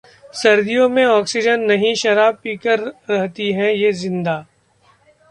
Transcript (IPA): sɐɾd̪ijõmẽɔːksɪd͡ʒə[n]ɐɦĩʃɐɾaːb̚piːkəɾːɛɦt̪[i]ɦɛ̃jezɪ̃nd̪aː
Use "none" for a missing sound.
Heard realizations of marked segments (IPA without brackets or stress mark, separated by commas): nː, i